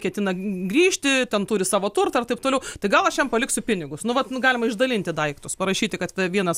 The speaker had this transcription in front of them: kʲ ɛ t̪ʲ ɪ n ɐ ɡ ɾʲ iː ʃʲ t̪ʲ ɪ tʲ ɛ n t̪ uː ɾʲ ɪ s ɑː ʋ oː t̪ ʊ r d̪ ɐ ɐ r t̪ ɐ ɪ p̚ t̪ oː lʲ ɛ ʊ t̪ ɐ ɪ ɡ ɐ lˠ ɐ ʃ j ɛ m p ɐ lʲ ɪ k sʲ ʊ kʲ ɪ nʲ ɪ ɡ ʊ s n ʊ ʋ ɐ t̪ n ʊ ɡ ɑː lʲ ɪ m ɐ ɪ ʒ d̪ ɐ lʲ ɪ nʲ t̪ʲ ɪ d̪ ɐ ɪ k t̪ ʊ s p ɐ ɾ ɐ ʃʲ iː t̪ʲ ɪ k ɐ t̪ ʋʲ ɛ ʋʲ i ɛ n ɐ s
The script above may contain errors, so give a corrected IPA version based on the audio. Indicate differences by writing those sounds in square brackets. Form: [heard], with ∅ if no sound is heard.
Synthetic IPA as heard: kʲ ɛ t̪ʲ ɪ n ɐ ɡ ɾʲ iː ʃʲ t̪ʲ ɪ tʲ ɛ n t̪ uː ɾʲ ɪ s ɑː ʋ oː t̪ ʊ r [t̪] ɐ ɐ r t̪ ɐ ɪ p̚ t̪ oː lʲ ɛ ʊ t̪ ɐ ɪ ɡ ɐ lˠ ɐ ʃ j ɛ m p ɐ lʲ ɪ k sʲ ʊ [pʲ] ɪ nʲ ɪ ɡ ʊ s n ʊ ʋ ɐ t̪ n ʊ ɡ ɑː lʲ ɪ m ɐ ɪ ʒ d̪ ɐ lʲ ɪ nʲ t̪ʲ ɪ d̪ ɐ ɪ k t̪ ʊ s p ɐ ɾ ɐ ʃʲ iː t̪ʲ ɪ k ɐ t̪ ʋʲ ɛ ʋʲ i ɛ n ɐ s